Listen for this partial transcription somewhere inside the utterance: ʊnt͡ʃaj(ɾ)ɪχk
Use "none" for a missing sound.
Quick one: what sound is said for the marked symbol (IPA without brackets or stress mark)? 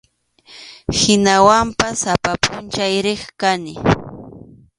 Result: ɾ